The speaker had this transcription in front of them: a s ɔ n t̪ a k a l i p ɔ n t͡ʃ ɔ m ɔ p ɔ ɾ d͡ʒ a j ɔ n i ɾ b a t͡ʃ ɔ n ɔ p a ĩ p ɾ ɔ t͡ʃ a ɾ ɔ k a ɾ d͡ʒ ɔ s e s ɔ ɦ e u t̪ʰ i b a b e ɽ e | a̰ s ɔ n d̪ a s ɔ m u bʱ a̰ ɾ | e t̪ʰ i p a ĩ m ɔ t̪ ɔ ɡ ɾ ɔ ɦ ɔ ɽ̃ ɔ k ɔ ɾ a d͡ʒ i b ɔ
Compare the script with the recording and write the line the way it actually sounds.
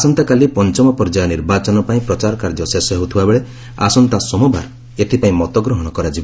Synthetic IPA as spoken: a s ɔ n t̪ a k a l i p ɔ n t͡ʃ ɔ m ɔ p ɔ ɾ d͡ʒ a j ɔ n i ɾ b a t͡ʃ ɔ n ɔ p a ĩ p ɾ ɔ t͡ʃ a ɾ ɔ k a ɾ d͡ʒ ɔ s e s ɔ ɦ e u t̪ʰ i b a b e ɭ e | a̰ s ɔ n t̪ a s ɔ m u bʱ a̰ ɾ | e t̪ʰ i p a ĩ m ɔ t̪ ɔ ɡ ɾ ɔ ɦ ɔ ɽ̃ ɔ k ɔ ɾ a d͡ʒ i b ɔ